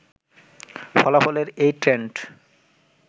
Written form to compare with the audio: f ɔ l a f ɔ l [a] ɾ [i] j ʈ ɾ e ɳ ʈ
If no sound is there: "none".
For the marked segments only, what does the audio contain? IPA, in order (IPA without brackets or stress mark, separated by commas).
e, e